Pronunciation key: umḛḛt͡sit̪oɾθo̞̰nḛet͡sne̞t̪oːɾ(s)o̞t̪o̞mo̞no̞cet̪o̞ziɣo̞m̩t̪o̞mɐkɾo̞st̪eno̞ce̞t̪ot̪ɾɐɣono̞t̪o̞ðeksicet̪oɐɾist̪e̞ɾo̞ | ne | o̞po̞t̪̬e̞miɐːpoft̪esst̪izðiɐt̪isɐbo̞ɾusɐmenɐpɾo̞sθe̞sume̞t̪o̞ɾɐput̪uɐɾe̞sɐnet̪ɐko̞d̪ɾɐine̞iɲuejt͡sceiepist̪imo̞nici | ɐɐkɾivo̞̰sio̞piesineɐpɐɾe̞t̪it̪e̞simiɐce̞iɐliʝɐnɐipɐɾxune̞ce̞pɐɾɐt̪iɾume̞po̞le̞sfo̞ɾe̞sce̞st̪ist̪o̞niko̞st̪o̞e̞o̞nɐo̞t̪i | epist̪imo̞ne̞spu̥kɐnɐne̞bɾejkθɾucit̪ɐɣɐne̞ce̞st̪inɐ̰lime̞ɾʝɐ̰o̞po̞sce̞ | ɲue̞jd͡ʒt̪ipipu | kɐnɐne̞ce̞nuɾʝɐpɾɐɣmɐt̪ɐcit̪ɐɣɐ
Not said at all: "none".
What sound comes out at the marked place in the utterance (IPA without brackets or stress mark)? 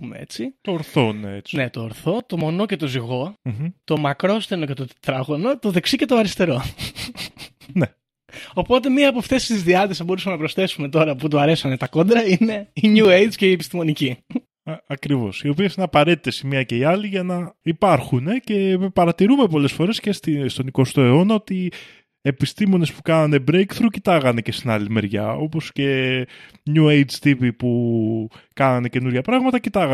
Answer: θ